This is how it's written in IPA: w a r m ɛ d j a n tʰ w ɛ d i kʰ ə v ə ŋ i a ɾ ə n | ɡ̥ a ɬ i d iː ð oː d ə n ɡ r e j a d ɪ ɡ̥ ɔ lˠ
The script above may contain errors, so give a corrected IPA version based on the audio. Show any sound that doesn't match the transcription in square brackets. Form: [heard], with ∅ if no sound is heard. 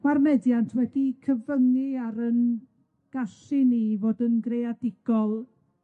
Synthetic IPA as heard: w a r m ɛ d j a n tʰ w ɛ d i kʰ ə v ə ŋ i a ɾ ə n | ɡ̥ a ɬ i [n] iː [v] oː d ə n ɡ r e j a d ɪ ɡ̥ ɔ lˠ